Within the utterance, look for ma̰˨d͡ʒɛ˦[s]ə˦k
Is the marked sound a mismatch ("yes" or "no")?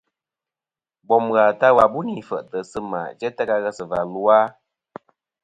yes